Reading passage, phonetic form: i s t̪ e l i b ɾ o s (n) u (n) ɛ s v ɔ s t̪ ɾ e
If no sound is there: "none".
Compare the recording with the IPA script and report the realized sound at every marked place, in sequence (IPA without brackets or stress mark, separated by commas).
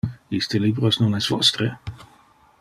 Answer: n, n